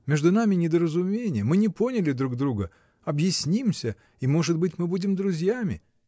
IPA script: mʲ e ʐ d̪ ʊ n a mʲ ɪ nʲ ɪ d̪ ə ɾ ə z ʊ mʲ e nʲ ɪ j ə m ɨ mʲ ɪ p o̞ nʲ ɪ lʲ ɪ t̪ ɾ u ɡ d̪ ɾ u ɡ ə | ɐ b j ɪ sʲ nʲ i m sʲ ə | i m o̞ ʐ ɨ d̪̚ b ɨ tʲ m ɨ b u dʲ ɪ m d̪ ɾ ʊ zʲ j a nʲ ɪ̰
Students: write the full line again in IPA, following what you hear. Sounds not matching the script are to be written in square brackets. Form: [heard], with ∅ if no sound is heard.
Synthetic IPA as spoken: mʲ e ʐ d̪ ʊ n a mʲ ɪ nʲ ɪ d̪ ə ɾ ə z ʊ mʲ e nʲ ɪ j ə m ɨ [nʲ] ɪ p o̞ nʲ ɪ lʲ ɪ [d̪] ɾ u ɡ d̪ ɾ u ɡ ə | ɐ b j ɪ sʲ nʲ i m sʲ ə | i m o̞ ʐ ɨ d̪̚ b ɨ tʲ m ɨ b u dʲ ɪ m d̪ ɾ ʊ zʲ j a [mʲ] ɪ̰